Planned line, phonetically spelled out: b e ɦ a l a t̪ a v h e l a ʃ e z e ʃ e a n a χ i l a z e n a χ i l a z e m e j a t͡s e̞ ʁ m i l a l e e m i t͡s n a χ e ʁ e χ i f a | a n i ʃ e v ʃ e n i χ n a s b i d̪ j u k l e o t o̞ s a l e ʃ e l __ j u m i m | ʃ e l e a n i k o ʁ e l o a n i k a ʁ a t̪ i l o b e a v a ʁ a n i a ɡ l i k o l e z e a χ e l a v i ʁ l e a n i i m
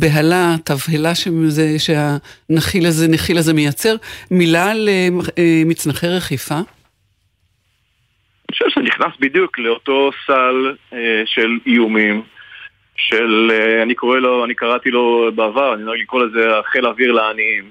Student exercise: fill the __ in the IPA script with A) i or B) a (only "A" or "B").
A